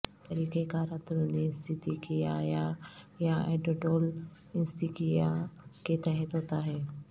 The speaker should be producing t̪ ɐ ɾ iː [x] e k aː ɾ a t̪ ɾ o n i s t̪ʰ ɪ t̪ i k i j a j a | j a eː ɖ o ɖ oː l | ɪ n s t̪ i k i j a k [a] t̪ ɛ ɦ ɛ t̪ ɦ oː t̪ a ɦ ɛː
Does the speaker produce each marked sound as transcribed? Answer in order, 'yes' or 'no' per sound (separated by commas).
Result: no, no